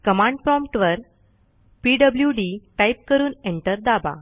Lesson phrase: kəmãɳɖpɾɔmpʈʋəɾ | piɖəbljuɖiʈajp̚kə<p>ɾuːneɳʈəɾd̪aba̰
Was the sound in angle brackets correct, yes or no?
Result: no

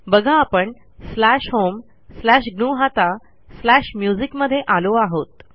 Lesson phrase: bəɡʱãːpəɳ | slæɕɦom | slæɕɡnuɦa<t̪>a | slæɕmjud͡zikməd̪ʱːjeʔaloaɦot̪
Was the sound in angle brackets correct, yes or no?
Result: yes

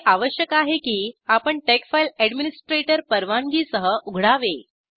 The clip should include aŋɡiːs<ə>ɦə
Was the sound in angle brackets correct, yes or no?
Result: yes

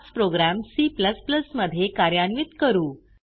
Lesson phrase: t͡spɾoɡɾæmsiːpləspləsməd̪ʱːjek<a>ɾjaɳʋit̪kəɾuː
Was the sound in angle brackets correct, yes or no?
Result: yes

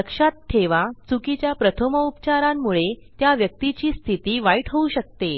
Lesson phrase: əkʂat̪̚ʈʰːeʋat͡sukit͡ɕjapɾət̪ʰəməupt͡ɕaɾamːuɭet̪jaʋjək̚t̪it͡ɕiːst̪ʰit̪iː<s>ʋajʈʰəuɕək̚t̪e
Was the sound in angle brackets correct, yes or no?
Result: no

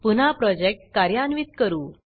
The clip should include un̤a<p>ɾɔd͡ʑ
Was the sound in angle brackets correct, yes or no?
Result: yes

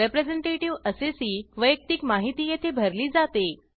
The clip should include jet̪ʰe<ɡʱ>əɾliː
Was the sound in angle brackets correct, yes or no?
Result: no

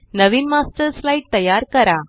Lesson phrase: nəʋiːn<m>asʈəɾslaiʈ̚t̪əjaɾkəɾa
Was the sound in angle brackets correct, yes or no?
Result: yes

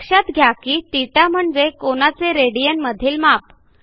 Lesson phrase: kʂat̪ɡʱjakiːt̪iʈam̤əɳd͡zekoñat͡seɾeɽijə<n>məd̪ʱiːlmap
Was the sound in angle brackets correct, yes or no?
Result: yes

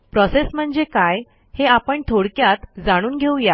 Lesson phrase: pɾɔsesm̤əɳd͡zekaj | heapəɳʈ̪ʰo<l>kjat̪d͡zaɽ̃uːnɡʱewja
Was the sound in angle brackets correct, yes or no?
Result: no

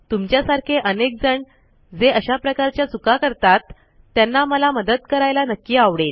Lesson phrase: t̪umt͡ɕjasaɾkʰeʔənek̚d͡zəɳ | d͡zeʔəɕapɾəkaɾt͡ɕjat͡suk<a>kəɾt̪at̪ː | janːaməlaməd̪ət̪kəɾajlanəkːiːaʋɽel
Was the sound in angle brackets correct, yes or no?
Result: yes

